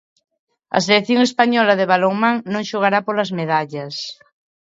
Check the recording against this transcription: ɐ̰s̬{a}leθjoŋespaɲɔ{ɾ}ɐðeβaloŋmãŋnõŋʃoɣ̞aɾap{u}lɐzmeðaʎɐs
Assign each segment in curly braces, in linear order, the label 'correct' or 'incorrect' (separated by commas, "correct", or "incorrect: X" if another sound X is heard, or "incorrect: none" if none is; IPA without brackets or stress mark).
incorrect: e, incorrect: l, incorrect: o